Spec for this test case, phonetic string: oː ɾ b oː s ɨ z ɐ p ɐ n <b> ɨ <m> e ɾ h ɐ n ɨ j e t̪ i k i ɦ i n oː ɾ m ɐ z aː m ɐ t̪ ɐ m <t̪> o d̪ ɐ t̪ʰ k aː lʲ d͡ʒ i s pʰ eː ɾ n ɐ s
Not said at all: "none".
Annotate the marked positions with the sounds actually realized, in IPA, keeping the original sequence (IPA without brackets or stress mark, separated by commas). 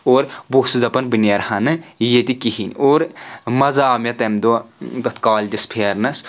b, n, d̪